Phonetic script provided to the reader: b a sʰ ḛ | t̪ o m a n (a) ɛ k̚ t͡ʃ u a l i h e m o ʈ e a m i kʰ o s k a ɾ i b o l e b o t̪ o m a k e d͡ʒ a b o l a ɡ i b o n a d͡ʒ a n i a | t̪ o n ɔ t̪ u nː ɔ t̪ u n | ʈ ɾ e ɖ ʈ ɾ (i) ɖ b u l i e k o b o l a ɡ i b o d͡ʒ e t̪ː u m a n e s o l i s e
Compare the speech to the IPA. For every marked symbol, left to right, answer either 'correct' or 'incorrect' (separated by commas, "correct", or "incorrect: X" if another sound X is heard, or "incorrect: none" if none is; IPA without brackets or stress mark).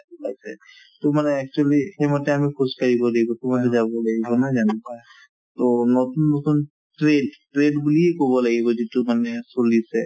incorrect: e, incorrect: e